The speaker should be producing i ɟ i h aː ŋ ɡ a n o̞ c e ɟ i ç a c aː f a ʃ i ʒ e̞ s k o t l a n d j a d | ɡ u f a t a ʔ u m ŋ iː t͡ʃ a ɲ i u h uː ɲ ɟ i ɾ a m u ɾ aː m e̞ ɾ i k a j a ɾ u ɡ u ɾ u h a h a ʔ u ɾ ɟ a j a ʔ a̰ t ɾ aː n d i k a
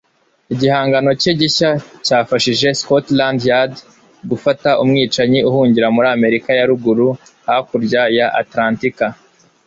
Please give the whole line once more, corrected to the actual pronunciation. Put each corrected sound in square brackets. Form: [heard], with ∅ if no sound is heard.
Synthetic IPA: i ɟ i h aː ŋ ɡ a n o̞ c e ɟ i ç a c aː f a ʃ i ʒ e̞ s k o t l a n d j a d | ɡ u f a t a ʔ u m ŋ iː t͡ʃ a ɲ i u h uː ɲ ɟ i ɾ a m u ɾ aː m e̞ ɾ i k a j a ɾ u ɡ u ɾ u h a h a [k] u ɾ ɟ a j a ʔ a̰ t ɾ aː n [t] i k a

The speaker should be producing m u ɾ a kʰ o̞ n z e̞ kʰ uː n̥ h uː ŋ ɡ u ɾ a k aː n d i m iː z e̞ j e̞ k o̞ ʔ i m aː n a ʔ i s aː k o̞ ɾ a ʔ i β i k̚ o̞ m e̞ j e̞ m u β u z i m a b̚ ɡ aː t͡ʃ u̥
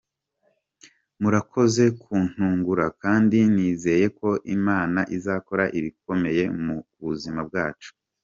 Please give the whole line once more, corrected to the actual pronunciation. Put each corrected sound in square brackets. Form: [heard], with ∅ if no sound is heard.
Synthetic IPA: m u ɾ a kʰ o̞ [∅] z e̞ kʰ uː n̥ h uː ŋ ɡ u ɾ a k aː n d i [n] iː z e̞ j e̞ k o̞ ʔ i m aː n a ʔ i [z] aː k o̞ ɾ a ʔ i β i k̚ o̞ m e̞ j e̞ m u β u z i m a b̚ ɡ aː t͡ʃ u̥

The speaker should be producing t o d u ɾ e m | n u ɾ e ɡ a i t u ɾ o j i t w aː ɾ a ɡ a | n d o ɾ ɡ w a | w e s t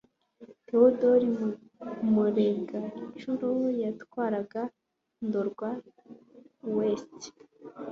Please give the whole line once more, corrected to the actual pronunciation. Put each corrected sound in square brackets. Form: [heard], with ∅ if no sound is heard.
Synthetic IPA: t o d [o] ɾ [i] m | [m] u ɾ e ɡ a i [t͡ʃ] u ɾ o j [a] t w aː ɾ a ɡ a | n d o ɾ ɡ w a | w e s t

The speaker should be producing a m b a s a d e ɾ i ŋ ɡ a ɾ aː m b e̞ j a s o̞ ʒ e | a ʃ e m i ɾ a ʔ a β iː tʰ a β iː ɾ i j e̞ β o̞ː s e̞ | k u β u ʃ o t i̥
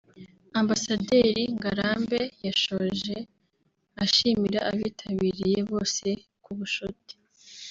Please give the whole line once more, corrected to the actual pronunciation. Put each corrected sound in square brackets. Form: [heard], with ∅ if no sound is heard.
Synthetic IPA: a m b a s a d e ɾ i ŋ ɡ a ɾ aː m b e̞ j a [ʃ] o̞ ʒ e | a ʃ [i] m i ɾ a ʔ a β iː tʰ a β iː ɾ i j e̞ β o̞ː s e̞ | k u β u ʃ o t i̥

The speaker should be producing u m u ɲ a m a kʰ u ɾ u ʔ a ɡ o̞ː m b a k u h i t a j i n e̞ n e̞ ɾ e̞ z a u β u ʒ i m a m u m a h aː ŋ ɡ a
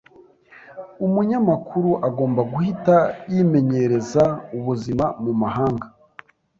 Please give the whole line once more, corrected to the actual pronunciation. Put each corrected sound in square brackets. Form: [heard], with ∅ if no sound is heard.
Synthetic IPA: u m u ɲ a m a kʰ u ɾ u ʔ a ɡ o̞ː m b a [ɡ] u h i t a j i [m] e̞ [ɲ] e̞ ɾ e̞ z a u β u [z] i m a m u m a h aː ŋ ɡ a

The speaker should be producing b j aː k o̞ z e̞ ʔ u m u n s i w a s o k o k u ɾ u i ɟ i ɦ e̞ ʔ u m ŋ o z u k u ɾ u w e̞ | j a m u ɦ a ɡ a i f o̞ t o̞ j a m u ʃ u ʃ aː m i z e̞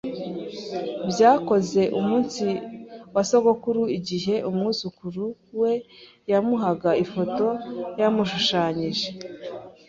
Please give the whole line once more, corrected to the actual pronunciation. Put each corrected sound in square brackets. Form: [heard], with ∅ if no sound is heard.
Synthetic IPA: b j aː k o̞ z e̞ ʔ u m [uː] n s i w a s o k o k u ɾ u i ɟ i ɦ e̞ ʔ u m ŋ [u] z u k u ɾ u w e̞ | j a m u ɦ a ɡ a i f o̞ t o̞ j a m u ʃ u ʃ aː [ɲ] i [ʒ] e̞

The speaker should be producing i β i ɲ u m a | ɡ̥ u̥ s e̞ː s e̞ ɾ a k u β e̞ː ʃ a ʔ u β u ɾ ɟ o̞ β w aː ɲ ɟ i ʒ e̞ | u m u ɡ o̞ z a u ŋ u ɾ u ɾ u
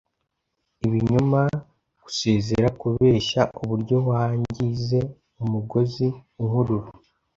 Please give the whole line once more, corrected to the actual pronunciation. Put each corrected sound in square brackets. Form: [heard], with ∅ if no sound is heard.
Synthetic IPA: i β i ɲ u m a | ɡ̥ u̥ s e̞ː [z] e̞ ɾ a k u β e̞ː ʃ a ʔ u β u ɾ ɟ o̞ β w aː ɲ ɟ i [z] e̞ | u m u ɡ o̞ z [i] u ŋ u ɾ u ɾ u

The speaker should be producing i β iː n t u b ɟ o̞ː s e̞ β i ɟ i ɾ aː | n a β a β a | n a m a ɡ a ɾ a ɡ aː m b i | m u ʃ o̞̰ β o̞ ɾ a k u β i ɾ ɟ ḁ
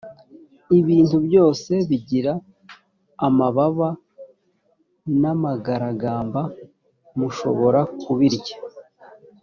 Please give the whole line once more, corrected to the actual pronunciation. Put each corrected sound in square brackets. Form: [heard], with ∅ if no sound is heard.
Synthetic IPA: i β iː n t u b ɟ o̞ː s e̞ β i ɟ i ɾ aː | [m] a β a β a | n a m a ɡ a ɾ a ɡ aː m b [a] | m u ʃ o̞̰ β o̞ ɾ a k u β i ɾ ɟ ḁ

